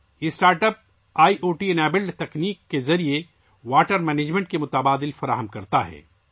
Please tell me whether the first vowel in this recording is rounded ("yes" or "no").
no